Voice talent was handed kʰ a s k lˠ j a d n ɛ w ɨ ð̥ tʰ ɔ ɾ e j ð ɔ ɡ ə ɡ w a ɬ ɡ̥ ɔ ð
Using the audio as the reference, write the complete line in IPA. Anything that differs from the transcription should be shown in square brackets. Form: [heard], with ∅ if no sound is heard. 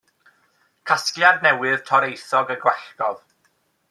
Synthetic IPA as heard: kʰ a s k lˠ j a d n ɛ w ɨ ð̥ tʰ ɔ ɾ e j [θ] ɔ ɡ ə ɡ w [ɛ] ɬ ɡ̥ ɔ ð